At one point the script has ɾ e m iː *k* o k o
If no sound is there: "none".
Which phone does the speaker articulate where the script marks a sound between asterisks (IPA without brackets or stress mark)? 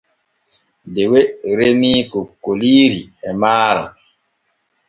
k